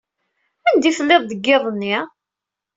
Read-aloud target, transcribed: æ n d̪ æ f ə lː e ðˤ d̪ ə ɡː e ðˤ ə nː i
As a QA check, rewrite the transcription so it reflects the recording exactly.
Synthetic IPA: æ n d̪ i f ə lː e ðˤ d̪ ə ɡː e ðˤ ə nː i